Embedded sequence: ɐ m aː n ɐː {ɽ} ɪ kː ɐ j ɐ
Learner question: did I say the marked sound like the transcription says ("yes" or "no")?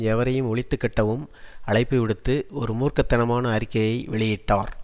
no